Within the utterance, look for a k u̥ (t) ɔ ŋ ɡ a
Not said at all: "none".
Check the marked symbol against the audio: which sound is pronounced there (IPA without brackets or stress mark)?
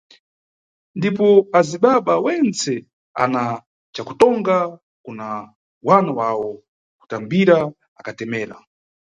t